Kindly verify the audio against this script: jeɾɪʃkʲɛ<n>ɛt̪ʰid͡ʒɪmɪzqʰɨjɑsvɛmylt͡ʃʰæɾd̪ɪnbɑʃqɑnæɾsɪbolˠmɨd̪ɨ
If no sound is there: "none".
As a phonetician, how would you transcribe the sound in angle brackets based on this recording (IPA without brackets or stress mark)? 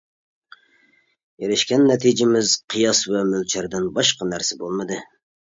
nː